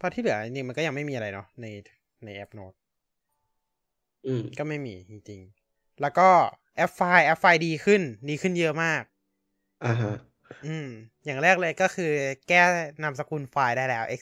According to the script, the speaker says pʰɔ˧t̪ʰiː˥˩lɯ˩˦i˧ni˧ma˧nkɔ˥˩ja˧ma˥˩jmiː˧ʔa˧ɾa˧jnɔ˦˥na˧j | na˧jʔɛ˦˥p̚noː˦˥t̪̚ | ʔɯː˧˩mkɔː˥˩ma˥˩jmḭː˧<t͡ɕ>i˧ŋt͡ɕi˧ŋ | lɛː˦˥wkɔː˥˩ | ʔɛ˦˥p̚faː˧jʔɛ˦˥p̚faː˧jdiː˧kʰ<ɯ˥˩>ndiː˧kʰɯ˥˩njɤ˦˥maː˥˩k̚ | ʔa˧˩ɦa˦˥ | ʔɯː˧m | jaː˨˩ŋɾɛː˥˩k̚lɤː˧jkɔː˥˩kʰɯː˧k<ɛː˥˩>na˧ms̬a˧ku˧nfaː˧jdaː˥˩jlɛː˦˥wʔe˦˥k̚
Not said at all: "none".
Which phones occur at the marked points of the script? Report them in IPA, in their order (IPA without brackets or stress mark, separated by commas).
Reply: t͡ɕ, ɯ˥˩, ɛː˥˩